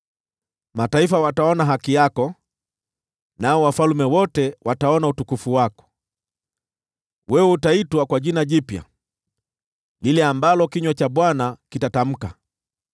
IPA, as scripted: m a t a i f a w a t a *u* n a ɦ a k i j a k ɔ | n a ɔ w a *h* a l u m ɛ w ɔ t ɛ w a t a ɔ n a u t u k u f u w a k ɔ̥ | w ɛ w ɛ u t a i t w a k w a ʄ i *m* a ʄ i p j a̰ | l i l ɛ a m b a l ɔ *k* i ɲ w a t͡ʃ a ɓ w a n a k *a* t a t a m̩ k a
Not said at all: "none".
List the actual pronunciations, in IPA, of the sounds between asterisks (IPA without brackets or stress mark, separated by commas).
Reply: ɔ, f, n, k, i